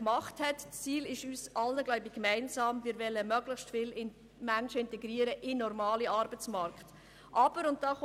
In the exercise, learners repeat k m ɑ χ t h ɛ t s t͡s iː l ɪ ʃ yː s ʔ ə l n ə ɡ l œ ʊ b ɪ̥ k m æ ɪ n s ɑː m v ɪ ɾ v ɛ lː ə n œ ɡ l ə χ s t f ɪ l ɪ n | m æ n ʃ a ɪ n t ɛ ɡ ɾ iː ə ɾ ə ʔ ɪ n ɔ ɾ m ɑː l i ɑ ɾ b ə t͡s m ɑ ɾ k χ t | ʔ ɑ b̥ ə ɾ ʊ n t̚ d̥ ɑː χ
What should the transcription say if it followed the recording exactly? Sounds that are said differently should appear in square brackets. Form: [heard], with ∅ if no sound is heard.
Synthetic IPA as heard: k m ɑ χ t h ɛ t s t͡s iː l ɪ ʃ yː s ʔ [ɑ] l n ə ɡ l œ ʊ b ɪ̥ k m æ ɪ n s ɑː m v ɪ ɾ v ɛ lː ə [m] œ ɡ l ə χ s t f ɪ l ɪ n | m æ n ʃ [ə] ɪ n t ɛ ɡ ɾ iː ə ɾ ə ʔ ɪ n ɔ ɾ m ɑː l i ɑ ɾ b ə t͡s m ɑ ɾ k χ t | ʔ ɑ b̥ ə ɾ ʊ n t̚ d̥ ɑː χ